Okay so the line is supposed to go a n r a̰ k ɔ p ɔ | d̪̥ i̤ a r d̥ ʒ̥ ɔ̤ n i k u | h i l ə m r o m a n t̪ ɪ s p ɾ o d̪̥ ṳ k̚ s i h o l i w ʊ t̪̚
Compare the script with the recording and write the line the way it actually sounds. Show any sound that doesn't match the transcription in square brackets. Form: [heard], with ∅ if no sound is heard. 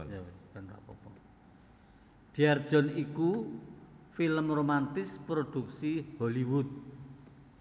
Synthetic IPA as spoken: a n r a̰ [p] ɔ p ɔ | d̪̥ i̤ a r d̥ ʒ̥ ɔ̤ n i k u | [f] i l ə m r o m a n t̪ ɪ s p ɾ o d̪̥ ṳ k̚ s i h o l i w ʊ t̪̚